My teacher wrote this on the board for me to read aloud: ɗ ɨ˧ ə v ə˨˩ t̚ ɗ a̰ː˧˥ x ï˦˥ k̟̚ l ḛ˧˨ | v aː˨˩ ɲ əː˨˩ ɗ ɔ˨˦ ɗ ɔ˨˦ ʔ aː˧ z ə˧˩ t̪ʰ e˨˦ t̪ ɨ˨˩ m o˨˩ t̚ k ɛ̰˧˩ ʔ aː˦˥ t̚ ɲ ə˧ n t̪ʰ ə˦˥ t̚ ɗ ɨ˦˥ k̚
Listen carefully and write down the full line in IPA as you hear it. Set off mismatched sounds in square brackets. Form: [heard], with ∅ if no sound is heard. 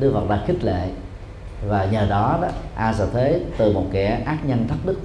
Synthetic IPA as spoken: ɗ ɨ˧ ə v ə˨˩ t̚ ɗ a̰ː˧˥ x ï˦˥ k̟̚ l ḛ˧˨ | v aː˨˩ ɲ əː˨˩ ɗ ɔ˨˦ ɗ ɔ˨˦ ʔ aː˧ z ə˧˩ t̪ʰ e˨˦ t̪ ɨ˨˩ m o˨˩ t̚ k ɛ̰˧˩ ʔ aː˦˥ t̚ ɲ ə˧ n t̪ʰ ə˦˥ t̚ ɗ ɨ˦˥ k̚